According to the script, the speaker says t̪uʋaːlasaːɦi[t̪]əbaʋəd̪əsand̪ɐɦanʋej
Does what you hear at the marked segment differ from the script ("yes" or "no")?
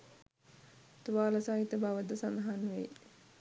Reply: no